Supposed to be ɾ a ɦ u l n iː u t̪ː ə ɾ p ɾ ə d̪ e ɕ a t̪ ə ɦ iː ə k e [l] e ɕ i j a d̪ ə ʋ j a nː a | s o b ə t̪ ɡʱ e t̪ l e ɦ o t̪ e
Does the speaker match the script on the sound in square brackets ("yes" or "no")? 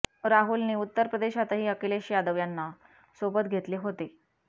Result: yes